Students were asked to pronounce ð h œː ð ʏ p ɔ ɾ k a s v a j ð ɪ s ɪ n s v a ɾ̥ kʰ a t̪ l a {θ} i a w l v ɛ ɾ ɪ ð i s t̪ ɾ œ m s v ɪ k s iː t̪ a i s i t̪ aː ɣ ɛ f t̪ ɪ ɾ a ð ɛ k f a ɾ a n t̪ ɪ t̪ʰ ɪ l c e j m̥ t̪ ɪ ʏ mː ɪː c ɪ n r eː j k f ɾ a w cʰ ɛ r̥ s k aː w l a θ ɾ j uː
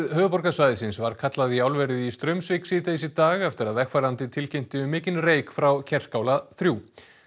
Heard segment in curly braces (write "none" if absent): ð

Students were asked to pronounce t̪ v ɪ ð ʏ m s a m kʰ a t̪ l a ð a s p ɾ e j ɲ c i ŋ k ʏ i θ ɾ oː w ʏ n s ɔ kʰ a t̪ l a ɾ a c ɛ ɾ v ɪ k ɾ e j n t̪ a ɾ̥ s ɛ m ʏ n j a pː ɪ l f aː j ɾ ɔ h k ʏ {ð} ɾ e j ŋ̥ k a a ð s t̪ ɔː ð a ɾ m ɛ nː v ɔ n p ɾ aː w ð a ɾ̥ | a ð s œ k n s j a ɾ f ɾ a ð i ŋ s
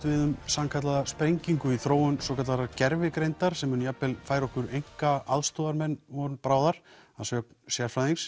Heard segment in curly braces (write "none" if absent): none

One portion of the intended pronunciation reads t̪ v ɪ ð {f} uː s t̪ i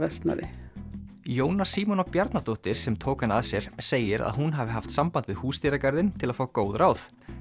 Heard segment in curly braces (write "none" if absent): h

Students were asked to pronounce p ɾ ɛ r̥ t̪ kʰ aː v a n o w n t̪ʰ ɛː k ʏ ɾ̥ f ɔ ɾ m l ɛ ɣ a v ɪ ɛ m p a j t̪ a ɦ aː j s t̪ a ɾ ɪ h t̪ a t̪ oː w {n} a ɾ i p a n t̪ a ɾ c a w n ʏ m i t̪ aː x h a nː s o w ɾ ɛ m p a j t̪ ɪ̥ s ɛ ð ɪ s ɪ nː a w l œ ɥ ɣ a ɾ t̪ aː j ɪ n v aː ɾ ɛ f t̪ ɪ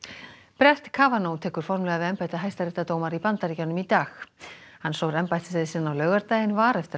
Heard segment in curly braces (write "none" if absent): m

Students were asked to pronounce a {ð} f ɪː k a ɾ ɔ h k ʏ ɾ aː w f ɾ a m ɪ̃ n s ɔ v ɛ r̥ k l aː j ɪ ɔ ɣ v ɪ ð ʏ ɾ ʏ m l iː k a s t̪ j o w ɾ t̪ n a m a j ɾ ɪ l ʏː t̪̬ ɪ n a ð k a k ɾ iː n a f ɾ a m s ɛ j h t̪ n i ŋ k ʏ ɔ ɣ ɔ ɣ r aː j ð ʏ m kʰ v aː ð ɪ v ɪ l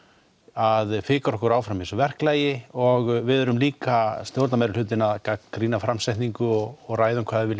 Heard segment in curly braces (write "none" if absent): ð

